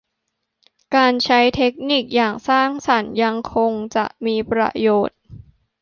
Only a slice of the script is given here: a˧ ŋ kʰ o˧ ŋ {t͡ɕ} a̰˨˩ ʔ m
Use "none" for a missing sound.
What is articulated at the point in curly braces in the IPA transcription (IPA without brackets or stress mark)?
t͡ɕ